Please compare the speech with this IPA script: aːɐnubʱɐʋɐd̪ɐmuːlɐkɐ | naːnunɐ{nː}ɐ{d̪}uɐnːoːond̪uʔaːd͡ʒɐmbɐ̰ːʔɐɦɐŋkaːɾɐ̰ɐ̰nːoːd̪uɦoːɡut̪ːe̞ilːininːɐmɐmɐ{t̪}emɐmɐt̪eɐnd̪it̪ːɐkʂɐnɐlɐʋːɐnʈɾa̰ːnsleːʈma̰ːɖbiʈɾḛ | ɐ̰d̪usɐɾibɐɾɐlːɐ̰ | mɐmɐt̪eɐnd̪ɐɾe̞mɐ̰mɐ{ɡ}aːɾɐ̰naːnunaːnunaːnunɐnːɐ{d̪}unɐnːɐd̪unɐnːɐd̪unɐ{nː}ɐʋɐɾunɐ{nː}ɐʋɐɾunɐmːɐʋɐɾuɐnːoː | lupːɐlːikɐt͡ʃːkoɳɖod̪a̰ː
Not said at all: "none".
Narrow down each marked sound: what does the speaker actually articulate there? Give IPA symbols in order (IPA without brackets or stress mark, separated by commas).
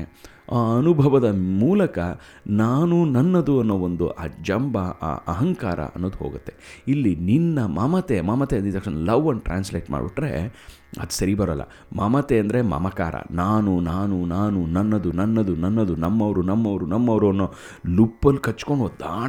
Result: nː, d̪, t̪, k, d̪, mː, mː